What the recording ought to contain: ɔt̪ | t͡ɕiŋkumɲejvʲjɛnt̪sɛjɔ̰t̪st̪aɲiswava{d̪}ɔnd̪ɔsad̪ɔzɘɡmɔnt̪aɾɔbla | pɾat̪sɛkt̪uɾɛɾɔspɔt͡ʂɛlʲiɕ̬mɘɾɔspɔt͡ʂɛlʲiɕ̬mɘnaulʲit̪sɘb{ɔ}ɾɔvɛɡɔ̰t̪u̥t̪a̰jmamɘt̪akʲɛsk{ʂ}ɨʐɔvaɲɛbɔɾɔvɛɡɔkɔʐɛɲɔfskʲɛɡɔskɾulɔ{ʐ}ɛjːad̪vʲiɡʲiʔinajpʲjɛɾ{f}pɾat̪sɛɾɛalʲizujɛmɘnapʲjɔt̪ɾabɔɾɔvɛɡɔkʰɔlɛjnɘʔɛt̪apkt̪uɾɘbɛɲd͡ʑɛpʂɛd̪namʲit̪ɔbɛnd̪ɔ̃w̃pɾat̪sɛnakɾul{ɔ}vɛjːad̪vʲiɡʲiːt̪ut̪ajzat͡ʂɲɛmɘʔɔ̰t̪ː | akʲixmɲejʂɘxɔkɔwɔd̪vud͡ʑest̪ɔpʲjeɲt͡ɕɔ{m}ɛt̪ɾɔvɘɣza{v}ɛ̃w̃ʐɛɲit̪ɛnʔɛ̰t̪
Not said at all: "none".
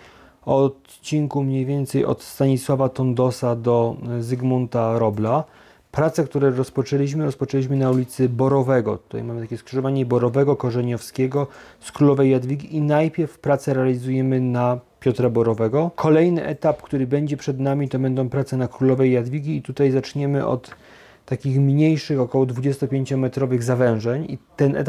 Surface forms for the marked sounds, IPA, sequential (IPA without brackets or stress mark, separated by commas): t̪, ɔ, ʂ, v, f, ɔ, m, v